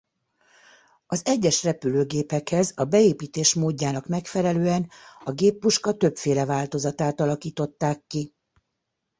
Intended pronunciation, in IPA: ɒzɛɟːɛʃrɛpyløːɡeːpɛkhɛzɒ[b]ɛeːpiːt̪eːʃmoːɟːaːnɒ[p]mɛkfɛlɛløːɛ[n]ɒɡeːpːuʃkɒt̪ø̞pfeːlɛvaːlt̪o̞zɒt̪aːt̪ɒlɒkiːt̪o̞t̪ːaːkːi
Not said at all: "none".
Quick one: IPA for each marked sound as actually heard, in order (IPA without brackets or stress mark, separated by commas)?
b, k, n